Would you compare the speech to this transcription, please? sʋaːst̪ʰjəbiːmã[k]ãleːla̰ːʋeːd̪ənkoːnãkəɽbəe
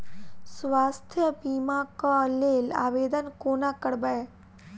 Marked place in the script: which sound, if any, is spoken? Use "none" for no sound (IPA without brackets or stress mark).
k